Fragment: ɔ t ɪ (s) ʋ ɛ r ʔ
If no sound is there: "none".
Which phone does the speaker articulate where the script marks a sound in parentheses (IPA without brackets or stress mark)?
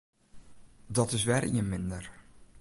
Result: s